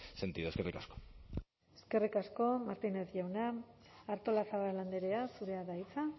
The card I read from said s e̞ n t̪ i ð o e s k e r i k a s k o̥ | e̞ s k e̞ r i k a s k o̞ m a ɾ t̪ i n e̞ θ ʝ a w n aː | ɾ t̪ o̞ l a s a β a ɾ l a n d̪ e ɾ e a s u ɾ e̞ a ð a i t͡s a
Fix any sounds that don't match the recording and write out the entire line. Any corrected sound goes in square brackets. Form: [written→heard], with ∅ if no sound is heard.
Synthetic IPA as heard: s e̞ n t̪ i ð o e s k e r i k a s k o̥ | e̞ s k e̞ r i k a s k o̞ m a ɾ t̪ i n e̞ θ ʝ a w n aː | ɾ t̪ o̞ l a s a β a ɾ l a n d̪ e ɾ e a s u ɾ e̞ a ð a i t͡s a